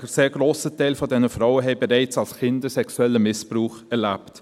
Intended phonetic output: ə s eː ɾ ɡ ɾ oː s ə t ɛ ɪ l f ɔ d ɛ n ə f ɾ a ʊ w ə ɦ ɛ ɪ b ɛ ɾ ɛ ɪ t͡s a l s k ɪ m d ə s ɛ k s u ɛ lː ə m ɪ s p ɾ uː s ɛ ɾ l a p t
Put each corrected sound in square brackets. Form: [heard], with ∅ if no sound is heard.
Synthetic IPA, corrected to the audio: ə s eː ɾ ɡ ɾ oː s ə t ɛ ɪ l f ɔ d ɛ n ə f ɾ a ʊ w ə ɦ ɛ ɪ b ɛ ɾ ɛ ɪ t͡s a l s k ɪ [n] d ə s ɛ k s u ɛ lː ə m ɪ s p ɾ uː [χ] ɛ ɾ l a p t